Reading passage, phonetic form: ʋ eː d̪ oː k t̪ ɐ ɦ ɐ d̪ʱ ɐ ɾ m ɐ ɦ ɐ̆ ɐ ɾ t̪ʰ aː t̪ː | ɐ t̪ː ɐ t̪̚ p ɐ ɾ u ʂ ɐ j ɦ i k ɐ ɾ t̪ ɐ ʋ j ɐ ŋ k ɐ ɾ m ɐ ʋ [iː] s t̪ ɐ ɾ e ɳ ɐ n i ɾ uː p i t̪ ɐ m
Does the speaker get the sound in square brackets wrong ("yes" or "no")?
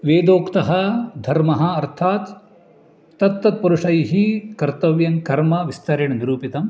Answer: yes